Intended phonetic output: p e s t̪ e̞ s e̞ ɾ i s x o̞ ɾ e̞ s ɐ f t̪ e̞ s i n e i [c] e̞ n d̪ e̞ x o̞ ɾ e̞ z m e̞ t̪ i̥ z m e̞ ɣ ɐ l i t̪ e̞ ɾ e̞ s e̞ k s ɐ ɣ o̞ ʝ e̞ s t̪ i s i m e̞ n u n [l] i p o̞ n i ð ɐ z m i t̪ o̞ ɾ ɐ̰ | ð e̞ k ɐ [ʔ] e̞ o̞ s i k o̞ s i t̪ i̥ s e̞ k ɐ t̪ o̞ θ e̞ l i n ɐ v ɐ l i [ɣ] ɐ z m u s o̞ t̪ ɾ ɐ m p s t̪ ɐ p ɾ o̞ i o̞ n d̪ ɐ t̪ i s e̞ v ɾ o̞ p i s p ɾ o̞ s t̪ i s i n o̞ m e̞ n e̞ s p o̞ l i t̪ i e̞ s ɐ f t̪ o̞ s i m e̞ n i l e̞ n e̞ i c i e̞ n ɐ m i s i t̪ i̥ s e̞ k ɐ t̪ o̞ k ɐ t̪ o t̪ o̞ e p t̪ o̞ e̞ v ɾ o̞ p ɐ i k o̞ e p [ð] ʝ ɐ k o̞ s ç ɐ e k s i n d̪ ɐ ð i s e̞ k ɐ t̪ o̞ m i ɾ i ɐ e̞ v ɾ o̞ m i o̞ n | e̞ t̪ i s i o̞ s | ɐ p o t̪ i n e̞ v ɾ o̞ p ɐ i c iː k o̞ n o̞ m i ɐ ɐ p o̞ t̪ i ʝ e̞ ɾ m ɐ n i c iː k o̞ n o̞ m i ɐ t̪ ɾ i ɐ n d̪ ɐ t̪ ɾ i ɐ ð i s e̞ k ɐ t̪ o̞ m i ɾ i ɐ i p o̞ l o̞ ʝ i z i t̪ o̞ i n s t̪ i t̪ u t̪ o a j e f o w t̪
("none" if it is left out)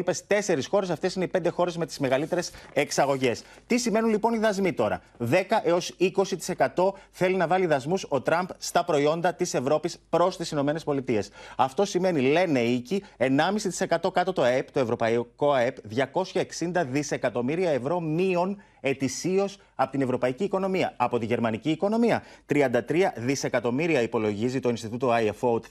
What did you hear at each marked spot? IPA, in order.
p, l, ʔ, ð, ð

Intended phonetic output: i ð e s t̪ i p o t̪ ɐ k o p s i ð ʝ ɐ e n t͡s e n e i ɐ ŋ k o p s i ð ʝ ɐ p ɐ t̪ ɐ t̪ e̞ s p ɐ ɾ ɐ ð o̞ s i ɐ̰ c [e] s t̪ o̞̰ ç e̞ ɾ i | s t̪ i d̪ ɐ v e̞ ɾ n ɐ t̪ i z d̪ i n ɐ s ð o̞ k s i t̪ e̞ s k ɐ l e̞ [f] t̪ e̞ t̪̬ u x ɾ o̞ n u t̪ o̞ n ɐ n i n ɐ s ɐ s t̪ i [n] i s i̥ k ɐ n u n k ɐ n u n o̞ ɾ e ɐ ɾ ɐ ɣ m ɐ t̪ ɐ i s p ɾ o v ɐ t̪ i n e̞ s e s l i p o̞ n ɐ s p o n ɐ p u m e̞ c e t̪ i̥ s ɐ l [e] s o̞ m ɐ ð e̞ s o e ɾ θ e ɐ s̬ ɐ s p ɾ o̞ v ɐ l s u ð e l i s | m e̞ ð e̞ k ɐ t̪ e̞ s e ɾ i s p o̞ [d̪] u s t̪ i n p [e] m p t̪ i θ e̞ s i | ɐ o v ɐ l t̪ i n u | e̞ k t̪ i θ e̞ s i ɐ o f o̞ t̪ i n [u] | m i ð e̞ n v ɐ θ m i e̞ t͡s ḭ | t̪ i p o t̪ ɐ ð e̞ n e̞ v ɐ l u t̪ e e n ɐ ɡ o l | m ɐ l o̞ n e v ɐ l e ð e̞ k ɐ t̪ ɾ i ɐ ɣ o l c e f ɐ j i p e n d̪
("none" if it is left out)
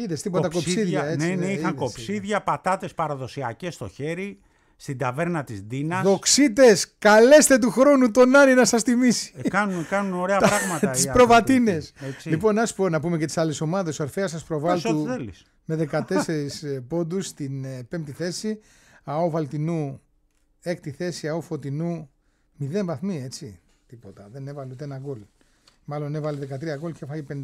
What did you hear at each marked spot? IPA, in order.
e, s, m, e, d̪, e, u

